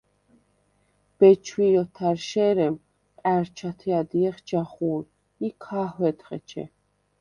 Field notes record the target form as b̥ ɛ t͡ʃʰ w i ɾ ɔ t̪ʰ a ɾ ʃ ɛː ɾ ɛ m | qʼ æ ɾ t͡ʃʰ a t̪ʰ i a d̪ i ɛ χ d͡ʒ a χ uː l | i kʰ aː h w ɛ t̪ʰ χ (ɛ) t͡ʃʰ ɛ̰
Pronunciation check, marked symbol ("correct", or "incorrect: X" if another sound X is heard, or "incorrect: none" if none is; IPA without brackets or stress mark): correct